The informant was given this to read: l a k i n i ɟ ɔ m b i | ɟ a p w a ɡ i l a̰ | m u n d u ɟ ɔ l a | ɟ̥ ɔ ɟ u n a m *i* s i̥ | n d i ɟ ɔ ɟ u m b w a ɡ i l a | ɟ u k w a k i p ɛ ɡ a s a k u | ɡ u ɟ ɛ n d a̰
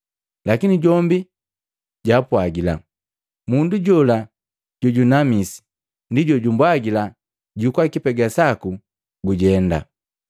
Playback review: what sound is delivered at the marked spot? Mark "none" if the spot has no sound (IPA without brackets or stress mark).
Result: i